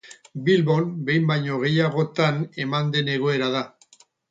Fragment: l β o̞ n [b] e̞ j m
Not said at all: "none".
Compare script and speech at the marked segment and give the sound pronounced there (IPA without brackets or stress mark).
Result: b